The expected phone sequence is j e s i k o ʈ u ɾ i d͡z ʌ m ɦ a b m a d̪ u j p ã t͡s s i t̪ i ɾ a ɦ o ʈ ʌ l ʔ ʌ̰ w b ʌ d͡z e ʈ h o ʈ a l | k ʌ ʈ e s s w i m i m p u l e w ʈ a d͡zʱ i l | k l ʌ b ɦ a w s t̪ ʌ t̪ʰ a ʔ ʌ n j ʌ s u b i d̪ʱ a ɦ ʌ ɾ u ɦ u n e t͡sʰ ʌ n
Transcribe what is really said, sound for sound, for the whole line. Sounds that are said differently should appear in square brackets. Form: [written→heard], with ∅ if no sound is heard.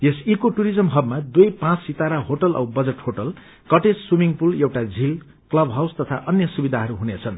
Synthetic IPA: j e s i k o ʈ u ɾ i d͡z ʌ m ɦ [a→ʌ] b m a d̪ u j p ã t͡s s i t̪ [i→a] ɾ a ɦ o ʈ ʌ l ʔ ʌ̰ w b ʌ d͡z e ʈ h o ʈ [a→ʌ] l | k ʌ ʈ e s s w i m i [m→ŋ] p u l e w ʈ a d͡zʱ i l | k l ʌ b ɦ a w s t̪ ʌ t̪ʰ a ʔ ʌ n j ʌ s u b i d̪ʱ a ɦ ʌ ɾ u ɦ u n e t͡sʰ ʌ n